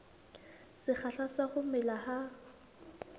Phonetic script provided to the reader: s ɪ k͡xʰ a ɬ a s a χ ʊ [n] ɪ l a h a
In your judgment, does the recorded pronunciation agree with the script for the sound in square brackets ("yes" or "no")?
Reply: no